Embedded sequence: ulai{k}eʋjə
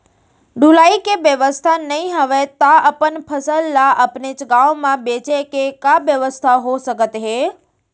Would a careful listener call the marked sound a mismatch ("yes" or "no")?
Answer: no